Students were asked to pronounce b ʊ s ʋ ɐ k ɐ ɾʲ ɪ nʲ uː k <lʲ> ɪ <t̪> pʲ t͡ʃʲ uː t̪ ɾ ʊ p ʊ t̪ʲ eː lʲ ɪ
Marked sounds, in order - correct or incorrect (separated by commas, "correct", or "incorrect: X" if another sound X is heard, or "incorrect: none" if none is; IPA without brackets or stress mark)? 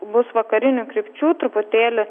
incorrect: ɾʲ, incorrect: none